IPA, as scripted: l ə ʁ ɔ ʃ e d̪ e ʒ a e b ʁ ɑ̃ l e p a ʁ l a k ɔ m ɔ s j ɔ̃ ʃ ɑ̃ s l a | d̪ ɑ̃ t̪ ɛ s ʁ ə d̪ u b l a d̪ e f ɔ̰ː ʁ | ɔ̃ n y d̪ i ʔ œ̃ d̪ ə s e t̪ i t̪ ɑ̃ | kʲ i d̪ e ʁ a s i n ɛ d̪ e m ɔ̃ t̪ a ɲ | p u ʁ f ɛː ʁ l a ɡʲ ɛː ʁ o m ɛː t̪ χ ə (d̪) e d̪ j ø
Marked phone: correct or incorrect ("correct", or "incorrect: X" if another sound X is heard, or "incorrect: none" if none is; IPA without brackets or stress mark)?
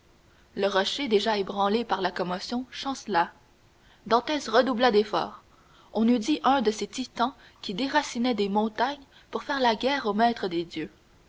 correct